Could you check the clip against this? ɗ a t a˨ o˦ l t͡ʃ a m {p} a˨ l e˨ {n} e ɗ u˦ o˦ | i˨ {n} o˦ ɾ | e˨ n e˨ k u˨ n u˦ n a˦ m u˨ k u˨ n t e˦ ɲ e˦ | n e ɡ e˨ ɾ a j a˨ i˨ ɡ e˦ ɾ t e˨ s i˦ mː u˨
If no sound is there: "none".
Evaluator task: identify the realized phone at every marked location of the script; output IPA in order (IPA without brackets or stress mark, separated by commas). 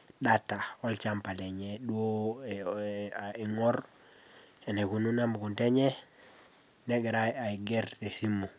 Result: p, ɲ, ŋ